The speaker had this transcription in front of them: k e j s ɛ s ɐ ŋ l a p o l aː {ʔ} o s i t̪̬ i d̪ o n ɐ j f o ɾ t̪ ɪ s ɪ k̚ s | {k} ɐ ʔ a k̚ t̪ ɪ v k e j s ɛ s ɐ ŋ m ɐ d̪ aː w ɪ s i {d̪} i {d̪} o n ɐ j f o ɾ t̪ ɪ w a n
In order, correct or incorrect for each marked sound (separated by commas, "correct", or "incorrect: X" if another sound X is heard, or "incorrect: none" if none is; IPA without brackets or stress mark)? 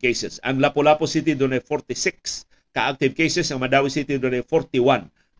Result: incorrect: p, correct, incorrect: t̪, correct